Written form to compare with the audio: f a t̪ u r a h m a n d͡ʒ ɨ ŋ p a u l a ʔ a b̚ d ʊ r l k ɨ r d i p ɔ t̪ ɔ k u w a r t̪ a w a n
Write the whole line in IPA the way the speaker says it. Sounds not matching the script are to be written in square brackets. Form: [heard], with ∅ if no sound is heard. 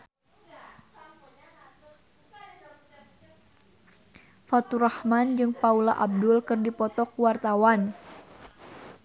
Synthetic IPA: f a t̪ u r a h m a n d͡ʒ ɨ ŋ p a u l a ʔ a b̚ d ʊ [∅] l k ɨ r d i p ɔ t̪ ɔ k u w a r t̪ a w a n